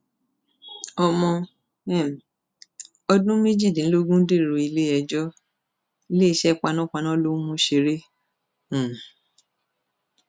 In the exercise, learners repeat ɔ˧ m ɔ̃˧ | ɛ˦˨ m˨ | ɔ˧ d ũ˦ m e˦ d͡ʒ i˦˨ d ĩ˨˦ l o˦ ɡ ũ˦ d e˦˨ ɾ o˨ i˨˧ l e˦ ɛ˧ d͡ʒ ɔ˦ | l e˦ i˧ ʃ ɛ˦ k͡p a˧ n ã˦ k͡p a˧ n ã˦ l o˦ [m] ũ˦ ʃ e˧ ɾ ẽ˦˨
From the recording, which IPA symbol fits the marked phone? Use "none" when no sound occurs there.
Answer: m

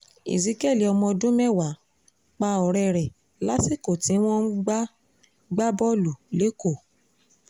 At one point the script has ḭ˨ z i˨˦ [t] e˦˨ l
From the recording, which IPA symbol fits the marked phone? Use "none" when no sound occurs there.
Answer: k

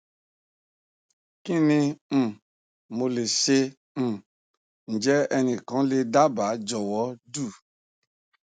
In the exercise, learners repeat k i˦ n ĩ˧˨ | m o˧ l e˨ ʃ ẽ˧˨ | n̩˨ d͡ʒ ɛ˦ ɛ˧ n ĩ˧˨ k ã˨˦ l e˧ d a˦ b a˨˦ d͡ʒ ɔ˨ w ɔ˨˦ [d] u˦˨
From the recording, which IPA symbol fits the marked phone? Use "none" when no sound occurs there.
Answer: d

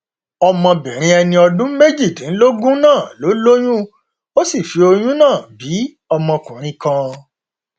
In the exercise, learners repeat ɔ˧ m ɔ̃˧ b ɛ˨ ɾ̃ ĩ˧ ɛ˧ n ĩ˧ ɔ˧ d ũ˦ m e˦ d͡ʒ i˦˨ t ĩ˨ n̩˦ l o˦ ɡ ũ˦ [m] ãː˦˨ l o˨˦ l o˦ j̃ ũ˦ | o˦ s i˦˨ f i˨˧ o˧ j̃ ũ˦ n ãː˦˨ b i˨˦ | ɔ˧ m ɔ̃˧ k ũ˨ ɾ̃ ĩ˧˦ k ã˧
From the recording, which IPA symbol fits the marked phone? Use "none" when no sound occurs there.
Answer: n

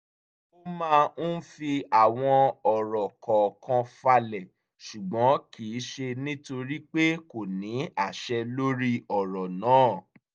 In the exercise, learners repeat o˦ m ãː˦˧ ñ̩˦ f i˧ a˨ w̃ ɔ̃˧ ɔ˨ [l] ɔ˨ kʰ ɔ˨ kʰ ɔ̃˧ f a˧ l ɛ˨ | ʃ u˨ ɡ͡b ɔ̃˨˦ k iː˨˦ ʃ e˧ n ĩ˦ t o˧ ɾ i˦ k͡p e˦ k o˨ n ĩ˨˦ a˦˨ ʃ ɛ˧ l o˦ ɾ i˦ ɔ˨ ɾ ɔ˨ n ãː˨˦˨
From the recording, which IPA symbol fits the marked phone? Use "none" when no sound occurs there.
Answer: ɾ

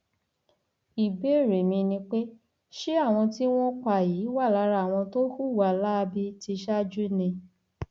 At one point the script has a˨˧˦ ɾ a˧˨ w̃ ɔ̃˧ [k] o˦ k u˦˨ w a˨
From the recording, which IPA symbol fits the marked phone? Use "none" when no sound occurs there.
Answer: t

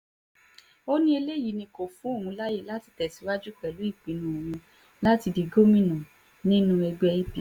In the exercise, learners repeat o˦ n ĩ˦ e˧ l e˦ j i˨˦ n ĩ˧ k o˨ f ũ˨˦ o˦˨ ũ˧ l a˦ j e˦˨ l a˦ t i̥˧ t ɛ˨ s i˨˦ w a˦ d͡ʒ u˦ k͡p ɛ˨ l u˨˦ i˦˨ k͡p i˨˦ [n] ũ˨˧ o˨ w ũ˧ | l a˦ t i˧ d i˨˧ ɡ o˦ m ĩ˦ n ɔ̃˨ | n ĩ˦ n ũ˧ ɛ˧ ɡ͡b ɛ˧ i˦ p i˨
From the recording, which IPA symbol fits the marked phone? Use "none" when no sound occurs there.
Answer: n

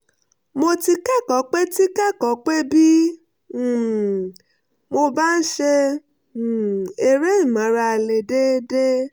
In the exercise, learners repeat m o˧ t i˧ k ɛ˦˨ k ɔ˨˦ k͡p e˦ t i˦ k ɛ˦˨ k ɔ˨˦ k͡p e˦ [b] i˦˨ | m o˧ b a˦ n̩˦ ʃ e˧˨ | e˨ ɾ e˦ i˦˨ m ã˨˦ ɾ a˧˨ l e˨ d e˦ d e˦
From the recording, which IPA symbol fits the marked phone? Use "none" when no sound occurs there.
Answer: b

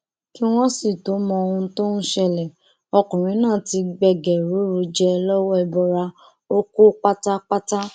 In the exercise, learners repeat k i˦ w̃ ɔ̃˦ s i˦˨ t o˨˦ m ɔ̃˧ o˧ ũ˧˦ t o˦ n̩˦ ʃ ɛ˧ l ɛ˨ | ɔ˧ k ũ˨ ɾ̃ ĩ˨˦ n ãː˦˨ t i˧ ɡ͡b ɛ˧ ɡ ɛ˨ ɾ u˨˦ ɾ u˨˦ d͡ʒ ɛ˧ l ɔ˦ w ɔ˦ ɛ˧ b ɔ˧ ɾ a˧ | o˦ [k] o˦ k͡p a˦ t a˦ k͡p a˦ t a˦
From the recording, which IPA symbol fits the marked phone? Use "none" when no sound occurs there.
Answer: k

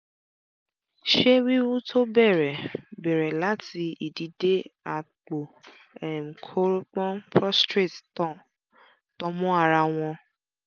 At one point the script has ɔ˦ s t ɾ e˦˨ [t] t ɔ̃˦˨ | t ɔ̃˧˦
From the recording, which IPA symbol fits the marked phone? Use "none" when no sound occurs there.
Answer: t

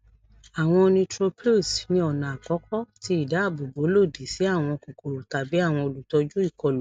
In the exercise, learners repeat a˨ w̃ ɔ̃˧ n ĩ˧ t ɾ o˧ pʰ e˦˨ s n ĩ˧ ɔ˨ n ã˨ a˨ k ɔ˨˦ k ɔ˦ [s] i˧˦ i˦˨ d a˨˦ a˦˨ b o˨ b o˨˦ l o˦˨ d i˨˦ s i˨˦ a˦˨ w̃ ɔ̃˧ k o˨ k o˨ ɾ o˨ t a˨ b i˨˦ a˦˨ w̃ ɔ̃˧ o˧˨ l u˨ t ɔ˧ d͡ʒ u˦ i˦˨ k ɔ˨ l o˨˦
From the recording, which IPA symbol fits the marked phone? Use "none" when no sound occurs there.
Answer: t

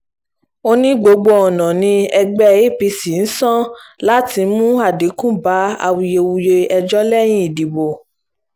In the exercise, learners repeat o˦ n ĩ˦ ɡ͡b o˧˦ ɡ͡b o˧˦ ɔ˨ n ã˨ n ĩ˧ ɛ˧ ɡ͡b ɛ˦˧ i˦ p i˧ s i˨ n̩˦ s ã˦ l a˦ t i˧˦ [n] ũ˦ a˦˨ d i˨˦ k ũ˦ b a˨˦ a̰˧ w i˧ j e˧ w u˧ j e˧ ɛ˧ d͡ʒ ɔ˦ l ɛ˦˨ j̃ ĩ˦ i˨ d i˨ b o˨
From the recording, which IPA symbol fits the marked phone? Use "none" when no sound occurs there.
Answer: m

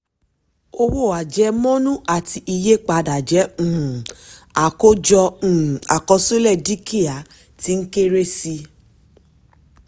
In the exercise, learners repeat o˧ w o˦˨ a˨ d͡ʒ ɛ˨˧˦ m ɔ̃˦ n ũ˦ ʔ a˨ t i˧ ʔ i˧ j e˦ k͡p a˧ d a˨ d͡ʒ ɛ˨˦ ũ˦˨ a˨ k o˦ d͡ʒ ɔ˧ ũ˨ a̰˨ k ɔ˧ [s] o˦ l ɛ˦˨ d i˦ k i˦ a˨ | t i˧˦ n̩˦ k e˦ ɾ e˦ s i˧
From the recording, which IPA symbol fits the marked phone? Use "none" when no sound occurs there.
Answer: s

